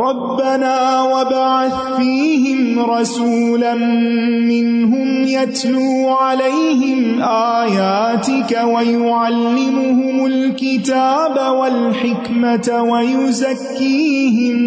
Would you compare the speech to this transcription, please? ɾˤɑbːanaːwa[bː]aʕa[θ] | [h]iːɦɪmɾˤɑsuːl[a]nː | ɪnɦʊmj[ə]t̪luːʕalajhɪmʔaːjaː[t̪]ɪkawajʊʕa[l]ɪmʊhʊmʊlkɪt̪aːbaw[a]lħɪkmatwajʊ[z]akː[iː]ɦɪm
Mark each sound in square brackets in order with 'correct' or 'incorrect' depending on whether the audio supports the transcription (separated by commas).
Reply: incorrect, correct, incorrect, correct, incorrect, correct, incorrect, correct, correct, correct